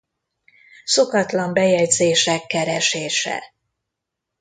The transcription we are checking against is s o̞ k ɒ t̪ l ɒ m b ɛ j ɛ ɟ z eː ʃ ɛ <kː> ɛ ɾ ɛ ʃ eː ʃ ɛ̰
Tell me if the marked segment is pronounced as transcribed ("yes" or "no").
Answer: yes